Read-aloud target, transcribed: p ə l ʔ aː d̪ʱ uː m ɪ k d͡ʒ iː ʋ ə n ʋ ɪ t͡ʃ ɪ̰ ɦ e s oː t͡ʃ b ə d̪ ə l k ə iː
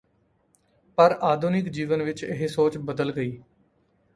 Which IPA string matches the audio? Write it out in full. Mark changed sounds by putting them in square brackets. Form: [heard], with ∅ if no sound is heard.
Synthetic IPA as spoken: p ə [ɾ] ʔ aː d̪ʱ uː [n] ɪ k d͡ʒ iː ʋ ə n ʋ ɪ t͡ʃ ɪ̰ ɦ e s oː t͡ʃ b ə d̪ ə l [ɡ] ə iː